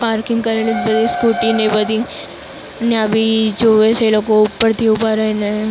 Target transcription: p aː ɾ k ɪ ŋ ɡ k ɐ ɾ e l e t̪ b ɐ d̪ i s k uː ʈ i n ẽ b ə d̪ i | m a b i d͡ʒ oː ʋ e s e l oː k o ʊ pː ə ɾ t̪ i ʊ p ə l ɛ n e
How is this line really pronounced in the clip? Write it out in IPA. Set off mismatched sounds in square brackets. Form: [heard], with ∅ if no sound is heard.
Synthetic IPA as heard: p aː ɾ k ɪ ŋ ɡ k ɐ ɾ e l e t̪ b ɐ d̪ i s k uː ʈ i n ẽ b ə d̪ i | [n] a b i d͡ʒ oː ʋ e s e l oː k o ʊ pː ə ɾ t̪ i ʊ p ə [ɾ] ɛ n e